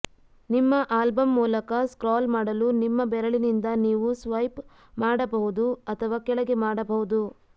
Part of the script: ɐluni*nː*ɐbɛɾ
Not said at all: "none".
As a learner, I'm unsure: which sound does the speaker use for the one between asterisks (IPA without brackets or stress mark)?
mː